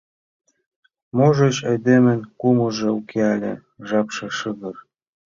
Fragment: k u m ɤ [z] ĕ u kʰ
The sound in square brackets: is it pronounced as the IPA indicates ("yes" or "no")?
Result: no